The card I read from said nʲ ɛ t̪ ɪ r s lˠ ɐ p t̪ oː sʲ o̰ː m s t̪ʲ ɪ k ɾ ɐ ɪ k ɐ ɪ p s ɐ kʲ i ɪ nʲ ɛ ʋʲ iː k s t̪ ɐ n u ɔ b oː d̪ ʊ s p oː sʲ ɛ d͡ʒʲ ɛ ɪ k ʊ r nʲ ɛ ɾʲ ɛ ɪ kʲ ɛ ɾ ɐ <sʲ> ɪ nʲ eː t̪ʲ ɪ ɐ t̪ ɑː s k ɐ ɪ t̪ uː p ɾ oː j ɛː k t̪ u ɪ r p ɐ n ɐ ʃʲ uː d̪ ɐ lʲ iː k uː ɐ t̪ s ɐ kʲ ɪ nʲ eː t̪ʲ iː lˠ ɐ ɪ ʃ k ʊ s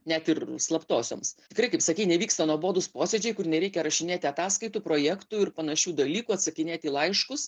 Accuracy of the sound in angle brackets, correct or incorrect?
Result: incorrect